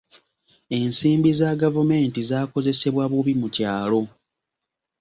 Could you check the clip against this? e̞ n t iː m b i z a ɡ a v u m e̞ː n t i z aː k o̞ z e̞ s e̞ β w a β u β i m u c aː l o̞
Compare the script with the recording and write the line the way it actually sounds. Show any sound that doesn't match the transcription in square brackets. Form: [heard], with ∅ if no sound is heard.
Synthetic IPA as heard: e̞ n [s] iː m b i z a ɡ a v u m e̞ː n t i z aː k o̞ z e̞ s e̞ β w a β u β i m u c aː l o̞